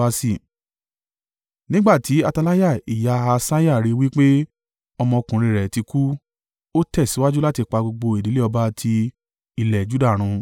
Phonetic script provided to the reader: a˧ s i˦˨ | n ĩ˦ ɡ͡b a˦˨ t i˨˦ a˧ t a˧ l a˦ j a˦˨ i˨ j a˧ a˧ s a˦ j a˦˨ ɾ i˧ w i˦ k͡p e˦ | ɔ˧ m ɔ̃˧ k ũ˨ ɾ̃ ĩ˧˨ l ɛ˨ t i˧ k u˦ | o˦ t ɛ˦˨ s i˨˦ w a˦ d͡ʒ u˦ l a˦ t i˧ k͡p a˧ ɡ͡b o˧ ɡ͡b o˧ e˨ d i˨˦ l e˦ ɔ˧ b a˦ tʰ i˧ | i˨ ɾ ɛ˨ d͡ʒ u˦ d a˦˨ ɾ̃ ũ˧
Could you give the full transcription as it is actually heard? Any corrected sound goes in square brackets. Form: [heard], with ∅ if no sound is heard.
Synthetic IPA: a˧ s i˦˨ | n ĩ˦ ɡ͡b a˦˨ t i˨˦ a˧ t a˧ l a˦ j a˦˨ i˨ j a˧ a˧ s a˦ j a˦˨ ɾ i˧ w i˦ k͡p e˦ | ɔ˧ m ɔ̃˧ k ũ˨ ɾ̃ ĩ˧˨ [ɾ] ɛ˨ t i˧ k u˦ | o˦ t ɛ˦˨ s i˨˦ w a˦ d͡ʒ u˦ l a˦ t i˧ k͡p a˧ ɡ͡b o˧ ɡ͡b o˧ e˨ d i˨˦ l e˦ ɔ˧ b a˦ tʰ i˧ | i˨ [l] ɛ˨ d͡ʒ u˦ d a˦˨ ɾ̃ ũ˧